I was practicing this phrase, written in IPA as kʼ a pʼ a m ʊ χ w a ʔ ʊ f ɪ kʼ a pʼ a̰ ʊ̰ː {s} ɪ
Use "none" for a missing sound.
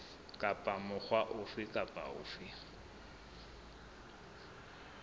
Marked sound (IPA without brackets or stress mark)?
f